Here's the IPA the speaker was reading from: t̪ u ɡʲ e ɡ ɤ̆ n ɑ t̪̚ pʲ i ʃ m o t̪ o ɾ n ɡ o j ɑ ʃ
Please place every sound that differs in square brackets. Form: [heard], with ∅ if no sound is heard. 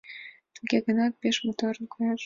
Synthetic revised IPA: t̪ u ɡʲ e ɡ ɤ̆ n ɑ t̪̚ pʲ [e] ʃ m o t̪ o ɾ n [k] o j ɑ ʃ